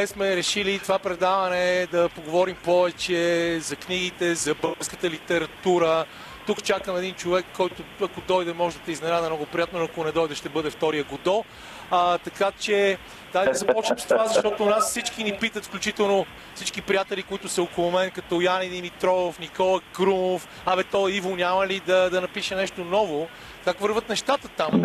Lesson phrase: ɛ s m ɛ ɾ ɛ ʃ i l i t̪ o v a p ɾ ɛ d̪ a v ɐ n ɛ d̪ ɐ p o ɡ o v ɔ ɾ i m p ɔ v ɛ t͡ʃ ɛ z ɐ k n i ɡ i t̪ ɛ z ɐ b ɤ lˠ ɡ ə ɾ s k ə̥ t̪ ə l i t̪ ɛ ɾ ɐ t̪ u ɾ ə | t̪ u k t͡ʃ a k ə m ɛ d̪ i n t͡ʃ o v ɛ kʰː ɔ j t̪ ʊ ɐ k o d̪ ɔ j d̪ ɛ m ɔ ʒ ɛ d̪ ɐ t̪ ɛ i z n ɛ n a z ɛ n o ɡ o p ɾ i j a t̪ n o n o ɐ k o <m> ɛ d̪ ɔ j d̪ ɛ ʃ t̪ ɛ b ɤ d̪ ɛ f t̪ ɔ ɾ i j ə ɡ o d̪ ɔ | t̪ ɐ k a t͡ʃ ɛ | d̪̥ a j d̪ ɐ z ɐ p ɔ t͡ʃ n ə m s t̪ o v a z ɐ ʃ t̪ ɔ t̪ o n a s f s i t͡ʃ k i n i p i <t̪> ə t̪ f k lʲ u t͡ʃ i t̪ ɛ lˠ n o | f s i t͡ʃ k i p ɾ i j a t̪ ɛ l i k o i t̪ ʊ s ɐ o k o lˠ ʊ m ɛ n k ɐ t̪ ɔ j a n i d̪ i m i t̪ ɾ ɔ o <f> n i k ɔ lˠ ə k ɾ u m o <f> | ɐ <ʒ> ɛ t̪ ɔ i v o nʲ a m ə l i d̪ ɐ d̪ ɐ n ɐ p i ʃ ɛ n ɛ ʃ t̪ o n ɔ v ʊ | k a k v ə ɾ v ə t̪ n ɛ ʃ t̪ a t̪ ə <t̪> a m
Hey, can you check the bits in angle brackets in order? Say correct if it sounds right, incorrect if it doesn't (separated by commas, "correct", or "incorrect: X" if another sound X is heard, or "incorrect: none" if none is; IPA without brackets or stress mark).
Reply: incorrect: n, correct, correct, correct, incorrect: v, correct